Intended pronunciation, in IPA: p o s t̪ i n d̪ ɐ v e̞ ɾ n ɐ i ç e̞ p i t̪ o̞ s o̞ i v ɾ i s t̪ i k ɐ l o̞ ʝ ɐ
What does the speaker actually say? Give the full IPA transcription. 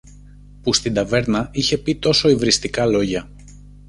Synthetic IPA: p u s t̪ i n d̪ ɐ v e̞ ɾ n ɐ i ç e̞ p i t̪ o̞ s o̞ i v ɾ i s t̪ i k ɐ l o̞ ʝ ɐ

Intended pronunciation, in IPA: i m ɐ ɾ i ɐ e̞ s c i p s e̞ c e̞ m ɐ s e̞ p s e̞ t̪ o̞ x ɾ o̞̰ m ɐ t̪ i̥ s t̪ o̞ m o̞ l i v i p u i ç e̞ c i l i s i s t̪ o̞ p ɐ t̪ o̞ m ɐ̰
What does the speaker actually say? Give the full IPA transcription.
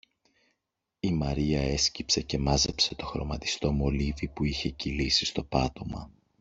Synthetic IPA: i m ɐ ɾ i ɐ e̞ s c i p s e̞ c e̞ m ɐ z e̞ p s e̞ t̪ o̞ x ɾ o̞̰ m ɐ t̪ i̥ s t̪ o̞ m o̞ l i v i p u i ç e̞ c i l i s i s t̪ o̞ p ɐ t̪ o̞ m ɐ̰

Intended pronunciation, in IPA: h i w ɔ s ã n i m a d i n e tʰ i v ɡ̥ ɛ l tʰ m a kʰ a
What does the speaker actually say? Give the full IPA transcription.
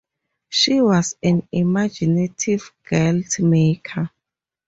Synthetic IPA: ʃ i w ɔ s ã n i m a d͡ʒ i n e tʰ i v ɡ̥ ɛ l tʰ m e kʰ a

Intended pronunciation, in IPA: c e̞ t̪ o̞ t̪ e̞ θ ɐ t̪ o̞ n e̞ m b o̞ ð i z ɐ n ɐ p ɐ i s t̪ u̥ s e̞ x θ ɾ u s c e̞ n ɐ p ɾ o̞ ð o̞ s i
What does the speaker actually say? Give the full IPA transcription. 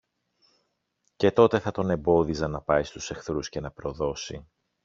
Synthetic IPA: c e̞ t̪ o̞ t̪ e̞ θ ɐ t̪ o̞ n e̞ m b o̞ ð i z ɐ n ɐ p ɐ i s t̪ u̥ s e̞ x θ ɾ u s c e̞ n ɐ p ɾ o̞ ð o̞ s i

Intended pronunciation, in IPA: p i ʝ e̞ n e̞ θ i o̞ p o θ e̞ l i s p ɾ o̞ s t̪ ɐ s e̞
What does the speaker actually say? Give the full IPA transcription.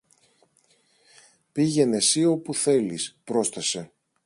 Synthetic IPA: p i ʝ e̞ n e̞ s i o̞ p u θ e̞ l i s p ɾ o̞ s t̪ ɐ s e̞

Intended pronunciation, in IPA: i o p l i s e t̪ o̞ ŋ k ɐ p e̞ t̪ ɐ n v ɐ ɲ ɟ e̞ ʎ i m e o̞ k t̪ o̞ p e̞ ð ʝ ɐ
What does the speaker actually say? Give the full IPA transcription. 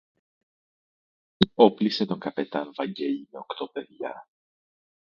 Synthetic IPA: i o p l i s e t̪ o̞ ŋ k ɐ p e̞ t̪ ɐ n v ɐ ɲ ɟ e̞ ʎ i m e o̞ k t̪ o̞ p e̞ ð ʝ ɐ

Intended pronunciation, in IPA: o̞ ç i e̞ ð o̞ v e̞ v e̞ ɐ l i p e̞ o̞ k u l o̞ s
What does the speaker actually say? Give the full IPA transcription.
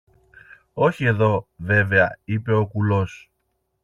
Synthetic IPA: o̞ ç i e̞ ð o̞ v e̞ v e̞ ɐ i p e̞ o̞ k u l o̞ s

